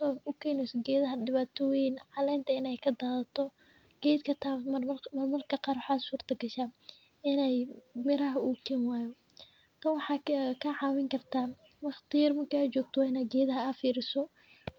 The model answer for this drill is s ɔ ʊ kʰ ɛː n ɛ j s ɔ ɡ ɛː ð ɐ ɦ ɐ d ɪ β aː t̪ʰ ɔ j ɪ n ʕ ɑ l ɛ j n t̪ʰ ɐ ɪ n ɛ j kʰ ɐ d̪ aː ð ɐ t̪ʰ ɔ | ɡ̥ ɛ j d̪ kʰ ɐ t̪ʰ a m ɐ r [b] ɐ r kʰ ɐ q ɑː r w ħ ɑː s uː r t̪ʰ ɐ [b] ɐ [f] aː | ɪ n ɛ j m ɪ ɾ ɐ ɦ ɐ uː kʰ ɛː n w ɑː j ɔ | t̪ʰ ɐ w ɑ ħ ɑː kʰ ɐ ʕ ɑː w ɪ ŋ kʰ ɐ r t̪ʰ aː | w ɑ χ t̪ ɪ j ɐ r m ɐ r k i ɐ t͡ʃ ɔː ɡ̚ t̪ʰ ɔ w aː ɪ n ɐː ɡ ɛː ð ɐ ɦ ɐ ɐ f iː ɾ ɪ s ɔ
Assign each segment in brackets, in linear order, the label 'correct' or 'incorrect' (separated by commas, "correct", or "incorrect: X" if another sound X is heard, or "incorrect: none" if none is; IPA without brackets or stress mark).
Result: incorrect: m, incorrect: ɡ, incorrect: ʃ